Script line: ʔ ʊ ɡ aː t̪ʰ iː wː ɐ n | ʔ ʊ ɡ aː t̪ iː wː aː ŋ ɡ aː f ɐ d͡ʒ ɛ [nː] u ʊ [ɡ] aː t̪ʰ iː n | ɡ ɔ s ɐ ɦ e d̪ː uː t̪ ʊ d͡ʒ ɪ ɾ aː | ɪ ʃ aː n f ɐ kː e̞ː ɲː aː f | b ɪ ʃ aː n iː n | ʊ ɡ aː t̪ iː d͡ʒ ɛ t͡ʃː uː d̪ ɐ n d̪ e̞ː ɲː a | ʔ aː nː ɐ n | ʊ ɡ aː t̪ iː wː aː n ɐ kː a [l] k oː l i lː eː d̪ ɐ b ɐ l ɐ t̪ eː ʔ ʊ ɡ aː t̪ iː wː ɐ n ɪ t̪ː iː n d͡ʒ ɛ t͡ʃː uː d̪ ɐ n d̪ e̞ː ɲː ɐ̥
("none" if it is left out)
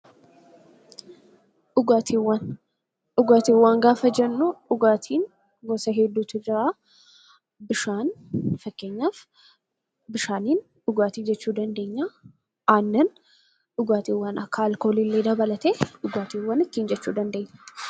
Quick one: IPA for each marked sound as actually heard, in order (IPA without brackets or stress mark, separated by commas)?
nː, ɡ, l